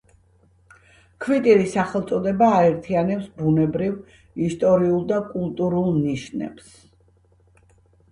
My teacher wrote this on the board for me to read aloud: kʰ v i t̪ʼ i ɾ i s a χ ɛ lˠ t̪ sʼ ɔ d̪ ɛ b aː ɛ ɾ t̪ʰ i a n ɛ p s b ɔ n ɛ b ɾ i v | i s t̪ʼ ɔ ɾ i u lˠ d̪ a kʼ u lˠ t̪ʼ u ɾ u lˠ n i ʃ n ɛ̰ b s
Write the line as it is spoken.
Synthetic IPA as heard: kʰ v i t̪ʼ i ɾ i s a χ ɛ lˠ t̪ sʼ ɔ d̪ ɛ b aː ɛ ɾ t̪ʰ i a n ɛ p s b u n ɛ b ɾ i v | i s t̪ʼ ɔ ɾ i u lˠ d̪ a kʼ u lˠ t̪ʼ u ɾ u lˠ n i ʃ n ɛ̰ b s